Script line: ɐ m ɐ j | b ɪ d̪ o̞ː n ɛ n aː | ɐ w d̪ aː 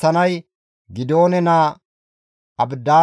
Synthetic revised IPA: ɐ n ɐ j | ɡ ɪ d̪ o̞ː n ɛ n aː | ɐ b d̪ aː